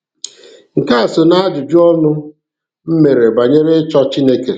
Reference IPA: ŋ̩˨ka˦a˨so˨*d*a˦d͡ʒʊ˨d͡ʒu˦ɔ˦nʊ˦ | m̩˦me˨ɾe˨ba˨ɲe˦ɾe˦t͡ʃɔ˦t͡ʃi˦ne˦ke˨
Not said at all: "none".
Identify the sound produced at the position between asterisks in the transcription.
n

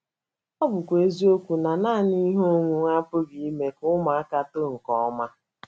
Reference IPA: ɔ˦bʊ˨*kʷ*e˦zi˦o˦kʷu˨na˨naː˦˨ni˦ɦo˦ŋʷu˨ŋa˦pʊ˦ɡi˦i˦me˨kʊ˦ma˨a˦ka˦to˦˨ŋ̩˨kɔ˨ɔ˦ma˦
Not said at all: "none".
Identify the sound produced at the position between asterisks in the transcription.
kʷ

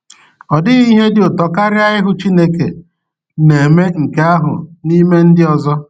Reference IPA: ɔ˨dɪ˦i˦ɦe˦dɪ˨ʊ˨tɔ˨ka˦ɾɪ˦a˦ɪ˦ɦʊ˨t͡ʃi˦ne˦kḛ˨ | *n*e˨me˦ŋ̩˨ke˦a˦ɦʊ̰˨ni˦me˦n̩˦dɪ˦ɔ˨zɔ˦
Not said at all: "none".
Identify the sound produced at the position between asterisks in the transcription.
n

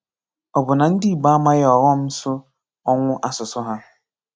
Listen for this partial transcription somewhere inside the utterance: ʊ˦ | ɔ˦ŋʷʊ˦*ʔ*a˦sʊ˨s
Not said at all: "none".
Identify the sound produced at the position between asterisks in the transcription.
ʔ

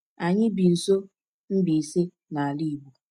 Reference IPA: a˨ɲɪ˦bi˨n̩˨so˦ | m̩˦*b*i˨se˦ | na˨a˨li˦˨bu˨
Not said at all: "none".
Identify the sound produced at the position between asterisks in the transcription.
b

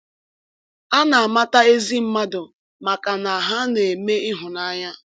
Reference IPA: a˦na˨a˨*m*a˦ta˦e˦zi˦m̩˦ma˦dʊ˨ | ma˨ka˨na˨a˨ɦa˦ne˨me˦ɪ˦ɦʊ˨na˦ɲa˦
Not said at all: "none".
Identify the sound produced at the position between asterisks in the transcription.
m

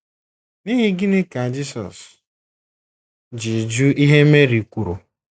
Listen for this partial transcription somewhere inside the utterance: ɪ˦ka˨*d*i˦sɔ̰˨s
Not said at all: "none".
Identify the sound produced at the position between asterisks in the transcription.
d͡ʒ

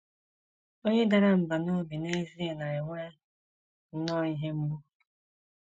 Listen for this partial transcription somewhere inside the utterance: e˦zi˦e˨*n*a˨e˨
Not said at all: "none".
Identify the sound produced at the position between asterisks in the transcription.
n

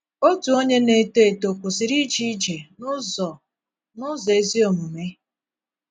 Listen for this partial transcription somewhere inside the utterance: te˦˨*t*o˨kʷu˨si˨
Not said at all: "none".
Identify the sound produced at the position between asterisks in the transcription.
t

